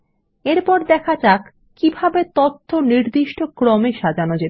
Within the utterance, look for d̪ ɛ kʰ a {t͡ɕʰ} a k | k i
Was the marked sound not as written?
yes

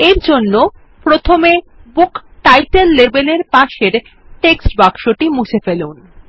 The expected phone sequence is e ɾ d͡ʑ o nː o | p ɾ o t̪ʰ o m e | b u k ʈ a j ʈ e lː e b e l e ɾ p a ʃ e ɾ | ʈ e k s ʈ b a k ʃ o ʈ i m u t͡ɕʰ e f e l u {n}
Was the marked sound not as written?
no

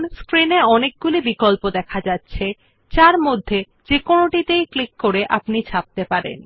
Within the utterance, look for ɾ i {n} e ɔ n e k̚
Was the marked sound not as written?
no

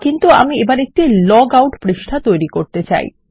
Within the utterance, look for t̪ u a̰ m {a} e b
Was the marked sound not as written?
yes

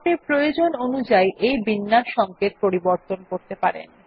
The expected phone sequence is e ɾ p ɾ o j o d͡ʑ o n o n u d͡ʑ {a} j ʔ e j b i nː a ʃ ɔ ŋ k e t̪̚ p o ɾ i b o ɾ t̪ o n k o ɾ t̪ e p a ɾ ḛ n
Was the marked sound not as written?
no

